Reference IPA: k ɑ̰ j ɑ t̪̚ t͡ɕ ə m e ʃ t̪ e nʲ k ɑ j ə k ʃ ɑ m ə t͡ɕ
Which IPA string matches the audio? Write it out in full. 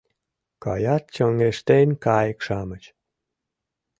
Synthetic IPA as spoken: k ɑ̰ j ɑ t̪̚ t͡ɕ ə ŋ e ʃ t̪ e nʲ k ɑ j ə k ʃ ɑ m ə t͡ɕ